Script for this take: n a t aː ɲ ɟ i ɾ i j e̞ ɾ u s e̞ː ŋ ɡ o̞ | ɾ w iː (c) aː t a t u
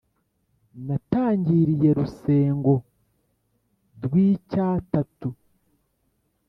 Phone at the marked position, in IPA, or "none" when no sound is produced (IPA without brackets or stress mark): c